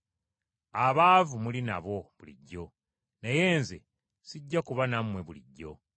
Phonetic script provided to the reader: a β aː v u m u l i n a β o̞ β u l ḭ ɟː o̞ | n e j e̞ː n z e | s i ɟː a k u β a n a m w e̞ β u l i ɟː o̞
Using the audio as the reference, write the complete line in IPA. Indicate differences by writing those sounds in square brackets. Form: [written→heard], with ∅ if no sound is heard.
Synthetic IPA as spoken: a β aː v u m u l i n a β o̞ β u l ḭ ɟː o̞ | n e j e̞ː n z e | s i ɟː a k u β a n a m w e̞ β u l i ɟː o̞